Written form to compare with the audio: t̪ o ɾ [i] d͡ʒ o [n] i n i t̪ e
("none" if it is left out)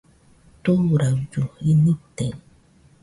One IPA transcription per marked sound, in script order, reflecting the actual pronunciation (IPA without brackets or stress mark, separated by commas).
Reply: a, none